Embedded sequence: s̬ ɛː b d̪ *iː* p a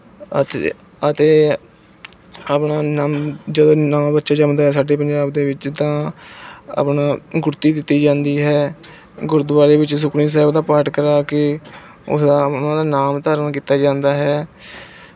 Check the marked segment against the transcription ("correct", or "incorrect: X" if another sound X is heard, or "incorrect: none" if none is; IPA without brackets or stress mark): incorrect: aː